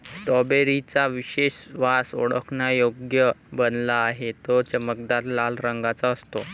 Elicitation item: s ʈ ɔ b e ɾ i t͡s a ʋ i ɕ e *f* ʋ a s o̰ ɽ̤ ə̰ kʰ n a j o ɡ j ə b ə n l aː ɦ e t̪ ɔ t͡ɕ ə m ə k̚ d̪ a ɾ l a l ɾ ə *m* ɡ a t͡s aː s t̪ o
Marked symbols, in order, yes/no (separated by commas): no, no